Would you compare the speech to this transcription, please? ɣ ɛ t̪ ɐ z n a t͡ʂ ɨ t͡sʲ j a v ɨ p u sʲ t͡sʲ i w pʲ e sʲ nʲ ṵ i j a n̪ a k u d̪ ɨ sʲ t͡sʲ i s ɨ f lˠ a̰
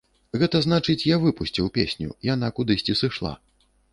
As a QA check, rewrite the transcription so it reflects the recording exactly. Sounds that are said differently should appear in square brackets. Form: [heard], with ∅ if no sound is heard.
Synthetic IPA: ɣ ɛ t̪ ɐ z n a t͡ʂ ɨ t͡sʲ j a v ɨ p u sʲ t͡sʲ i w pʲ e sʲ nʲ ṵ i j a n̪ a k u d̪ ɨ sʲ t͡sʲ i s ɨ [ʂ] lˠ a̰